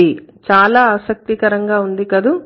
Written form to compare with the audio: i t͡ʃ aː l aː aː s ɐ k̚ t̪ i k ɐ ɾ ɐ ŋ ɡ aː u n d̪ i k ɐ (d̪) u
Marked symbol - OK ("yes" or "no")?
yes